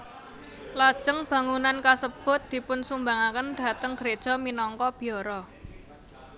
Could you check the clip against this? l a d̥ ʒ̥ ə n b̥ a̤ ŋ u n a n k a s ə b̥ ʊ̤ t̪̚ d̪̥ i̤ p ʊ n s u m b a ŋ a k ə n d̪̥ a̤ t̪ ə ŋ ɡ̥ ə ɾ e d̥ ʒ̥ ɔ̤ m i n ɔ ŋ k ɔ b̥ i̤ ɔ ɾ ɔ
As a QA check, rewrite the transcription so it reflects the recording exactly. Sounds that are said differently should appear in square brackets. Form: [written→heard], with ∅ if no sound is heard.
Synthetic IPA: l a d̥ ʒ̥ ə [n→ŋ] b̥ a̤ ŋ u n a n k a s ə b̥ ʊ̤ t̪̚ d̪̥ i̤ p ʊ n s u m b a ŋ a k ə n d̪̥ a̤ t̪ ə ŋ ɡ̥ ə ɾ e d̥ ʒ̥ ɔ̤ m i n ɔ ŋ k ɔ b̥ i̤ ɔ ɾ ɔ